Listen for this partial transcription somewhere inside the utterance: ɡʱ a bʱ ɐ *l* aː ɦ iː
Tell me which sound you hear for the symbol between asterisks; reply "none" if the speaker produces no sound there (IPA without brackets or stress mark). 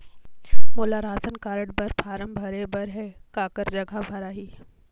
ɾ